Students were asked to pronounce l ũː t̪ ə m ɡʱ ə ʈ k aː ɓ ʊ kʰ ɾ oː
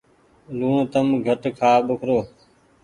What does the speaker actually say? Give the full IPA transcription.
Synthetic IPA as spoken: l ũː t̪ ə m ɡʱ ə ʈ kʰ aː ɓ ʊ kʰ ɾ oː